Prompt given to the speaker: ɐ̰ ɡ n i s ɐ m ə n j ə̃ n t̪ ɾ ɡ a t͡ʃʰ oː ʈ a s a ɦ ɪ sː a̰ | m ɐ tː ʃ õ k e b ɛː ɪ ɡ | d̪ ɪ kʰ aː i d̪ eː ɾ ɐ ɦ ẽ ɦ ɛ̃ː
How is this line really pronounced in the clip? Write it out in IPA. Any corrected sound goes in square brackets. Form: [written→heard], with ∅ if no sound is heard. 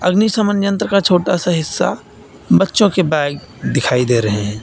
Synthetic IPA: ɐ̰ ɡ n i s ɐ m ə n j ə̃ n t̪ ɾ [ɡ→k] a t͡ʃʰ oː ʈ a s a ɦ ɪ sː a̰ | [m→b] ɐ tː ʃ õ k e b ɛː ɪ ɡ | d̪ ɪ kʰ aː i d̪ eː ɾ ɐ ɦ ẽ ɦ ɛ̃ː